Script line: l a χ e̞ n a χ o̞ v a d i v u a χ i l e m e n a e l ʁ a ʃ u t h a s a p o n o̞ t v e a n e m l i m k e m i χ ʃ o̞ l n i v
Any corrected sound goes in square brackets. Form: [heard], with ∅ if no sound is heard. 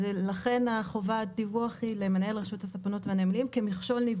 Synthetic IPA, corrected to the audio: l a χ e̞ n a χ o̞ v a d i v u a χ i l e m e n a e l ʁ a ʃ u t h a s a p o n o̞ t v e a n e m l i m k e m i χ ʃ o̞ l n i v